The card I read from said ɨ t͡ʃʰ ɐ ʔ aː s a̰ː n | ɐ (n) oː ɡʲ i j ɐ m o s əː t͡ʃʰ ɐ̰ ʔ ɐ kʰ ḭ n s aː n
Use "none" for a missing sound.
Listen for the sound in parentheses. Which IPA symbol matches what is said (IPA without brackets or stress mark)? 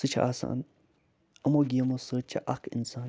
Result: m